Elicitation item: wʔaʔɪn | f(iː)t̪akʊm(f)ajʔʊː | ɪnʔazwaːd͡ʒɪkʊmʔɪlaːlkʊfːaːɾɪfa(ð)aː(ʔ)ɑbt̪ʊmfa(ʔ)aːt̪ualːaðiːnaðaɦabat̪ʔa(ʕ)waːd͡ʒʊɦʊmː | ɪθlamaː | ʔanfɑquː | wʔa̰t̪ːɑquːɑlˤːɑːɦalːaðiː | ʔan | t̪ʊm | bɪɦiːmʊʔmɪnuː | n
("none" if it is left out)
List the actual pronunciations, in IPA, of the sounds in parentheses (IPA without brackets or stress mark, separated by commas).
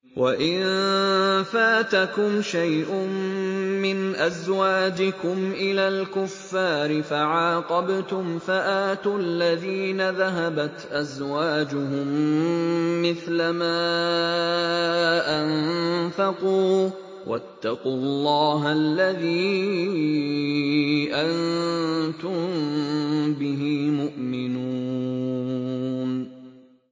aː, ʃ, ʕ, q, ʔ, z